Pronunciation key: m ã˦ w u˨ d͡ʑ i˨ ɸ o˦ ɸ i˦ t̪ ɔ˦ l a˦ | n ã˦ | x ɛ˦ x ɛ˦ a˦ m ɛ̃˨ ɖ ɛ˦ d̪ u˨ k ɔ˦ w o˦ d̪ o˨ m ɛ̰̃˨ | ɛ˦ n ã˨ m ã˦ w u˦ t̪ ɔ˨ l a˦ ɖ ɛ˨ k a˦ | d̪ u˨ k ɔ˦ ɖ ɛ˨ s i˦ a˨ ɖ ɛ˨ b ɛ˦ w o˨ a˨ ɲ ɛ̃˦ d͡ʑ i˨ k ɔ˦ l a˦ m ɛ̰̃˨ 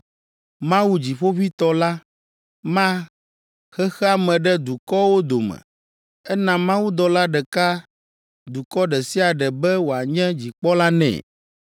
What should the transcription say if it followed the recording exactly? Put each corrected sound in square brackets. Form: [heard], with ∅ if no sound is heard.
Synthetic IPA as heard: m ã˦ w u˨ d͡ʑ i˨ ɸ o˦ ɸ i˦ t̪ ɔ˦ l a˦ | [m] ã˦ | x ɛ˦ x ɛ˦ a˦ m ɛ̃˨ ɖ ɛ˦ d̪ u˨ k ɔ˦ w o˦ d̪ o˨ m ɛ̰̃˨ | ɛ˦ n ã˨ m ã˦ w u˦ [d̪] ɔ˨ l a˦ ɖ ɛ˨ k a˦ | d̪ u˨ k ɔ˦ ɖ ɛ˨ s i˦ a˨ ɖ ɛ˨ b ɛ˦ w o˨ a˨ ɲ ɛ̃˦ d͡ʑ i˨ [k͡p] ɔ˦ l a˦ [n] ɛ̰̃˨